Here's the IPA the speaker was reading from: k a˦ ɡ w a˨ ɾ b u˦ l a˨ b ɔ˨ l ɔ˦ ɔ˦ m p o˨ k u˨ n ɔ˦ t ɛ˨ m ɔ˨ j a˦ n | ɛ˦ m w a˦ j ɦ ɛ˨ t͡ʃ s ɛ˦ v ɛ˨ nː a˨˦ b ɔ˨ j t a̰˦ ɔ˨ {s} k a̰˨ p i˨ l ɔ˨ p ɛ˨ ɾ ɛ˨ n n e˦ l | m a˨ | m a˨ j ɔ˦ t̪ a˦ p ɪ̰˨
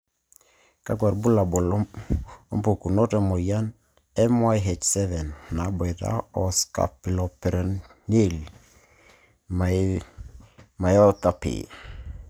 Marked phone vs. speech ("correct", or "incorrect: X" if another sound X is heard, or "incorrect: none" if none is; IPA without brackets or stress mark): correct